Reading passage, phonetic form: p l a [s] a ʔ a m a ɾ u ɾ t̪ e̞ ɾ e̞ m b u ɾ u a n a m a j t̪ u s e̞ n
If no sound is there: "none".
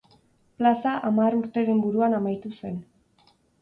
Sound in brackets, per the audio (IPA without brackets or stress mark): s